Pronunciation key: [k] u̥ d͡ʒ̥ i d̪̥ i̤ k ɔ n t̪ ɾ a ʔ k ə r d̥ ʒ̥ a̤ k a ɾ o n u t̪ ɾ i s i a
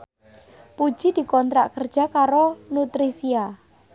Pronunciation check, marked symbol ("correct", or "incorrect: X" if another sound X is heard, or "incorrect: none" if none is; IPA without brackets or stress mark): incorrect: p